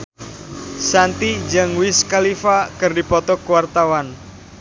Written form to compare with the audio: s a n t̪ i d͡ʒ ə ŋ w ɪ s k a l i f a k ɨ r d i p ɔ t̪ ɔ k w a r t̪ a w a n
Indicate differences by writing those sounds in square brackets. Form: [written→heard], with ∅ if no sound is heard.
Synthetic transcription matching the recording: s a n t̪ i d͡ʒ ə ŋ w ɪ s k a l i f a k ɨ r d i p ɔ t̪ ɔ k w a r t̪ a w a n